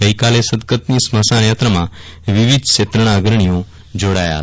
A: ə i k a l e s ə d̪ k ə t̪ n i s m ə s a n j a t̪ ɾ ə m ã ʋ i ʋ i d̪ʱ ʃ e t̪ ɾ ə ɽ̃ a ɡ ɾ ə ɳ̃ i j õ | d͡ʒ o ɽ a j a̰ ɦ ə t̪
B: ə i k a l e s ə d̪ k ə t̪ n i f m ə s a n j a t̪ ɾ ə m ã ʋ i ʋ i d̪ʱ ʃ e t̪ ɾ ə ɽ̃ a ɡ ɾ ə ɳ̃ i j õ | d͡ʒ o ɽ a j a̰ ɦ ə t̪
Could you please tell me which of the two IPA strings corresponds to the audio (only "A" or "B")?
A